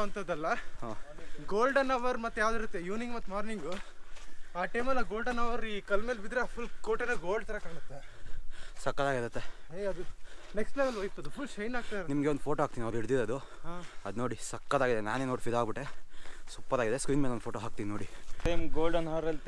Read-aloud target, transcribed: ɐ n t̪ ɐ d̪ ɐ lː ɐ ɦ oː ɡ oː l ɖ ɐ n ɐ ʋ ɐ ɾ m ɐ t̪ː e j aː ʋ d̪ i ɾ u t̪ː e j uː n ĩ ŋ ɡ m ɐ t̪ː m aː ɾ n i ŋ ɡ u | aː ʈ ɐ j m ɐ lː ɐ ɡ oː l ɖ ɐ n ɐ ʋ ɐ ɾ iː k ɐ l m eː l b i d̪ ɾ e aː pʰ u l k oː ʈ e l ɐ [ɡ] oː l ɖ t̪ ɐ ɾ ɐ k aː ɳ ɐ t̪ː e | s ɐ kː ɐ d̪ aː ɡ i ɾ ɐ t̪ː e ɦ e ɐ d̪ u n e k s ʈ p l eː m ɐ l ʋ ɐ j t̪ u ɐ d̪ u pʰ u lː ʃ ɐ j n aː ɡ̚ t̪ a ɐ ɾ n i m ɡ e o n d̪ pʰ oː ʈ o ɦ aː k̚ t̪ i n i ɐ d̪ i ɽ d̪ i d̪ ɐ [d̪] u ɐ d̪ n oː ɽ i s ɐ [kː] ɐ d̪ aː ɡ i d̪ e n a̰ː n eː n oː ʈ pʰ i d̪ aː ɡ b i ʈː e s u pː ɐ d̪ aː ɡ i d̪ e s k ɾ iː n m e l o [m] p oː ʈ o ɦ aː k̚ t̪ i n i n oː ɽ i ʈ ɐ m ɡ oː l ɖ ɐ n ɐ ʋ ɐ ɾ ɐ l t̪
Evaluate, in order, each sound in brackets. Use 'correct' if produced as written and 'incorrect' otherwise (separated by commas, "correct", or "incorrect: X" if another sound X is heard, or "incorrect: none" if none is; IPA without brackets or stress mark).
correct, correct, correct, incorrect: n